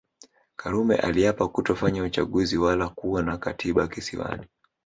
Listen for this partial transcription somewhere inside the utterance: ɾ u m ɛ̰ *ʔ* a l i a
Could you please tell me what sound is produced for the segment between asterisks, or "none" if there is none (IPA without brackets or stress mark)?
ʔ